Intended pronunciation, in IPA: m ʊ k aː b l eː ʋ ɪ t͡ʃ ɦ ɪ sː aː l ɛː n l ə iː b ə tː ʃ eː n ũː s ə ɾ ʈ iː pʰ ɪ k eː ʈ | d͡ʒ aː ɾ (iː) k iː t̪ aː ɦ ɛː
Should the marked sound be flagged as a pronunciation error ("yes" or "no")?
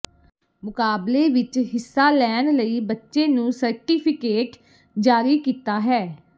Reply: no